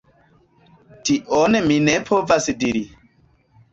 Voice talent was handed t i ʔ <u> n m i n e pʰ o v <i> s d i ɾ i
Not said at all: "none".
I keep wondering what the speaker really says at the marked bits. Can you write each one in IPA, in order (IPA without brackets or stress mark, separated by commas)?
o, a